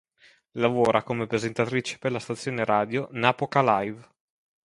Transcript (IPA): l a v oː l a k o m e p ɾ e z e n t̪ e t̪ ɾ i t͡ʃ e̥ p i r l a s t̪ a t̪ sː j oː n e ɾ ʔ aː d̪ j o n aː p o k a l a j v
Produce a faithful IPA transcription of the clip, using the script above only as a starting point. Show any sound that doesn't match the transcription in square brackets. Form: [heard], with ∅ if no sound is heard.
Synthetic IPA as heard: l a v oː [ɾ] a k o m e p ɾ e z e n t̪ [a] t̪ ɾ i t͡ʃ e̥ p [e] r l a s t̪ a t̪ sː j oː n e ɾ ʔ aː d̪ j o n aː p o k a l a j v